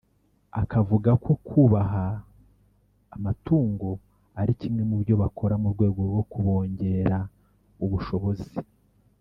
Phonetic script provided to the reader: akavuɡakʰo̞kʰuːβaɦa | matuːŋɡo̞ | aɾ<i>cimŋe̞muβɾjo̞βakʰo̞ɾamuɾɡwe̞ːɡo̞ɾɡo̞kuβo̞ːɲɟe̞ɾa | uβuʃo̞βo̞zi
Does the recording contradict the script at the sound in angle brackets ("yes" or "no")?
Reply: no